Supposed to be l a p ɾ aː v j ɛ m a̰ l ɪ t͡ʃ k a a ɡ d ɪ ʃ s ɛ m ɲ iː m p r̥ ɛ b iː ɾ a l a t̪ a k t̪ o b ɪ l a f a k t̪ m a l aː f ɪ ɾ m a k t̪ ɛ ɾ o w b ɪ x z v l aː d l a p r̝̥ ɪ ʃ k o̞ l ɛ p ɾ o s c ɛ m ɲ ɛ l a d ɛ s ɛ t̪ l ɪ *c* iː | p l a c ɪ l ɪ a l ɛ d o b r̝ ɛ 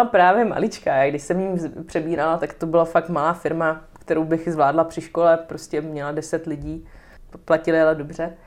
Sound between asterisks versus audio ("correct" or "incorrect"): incorrect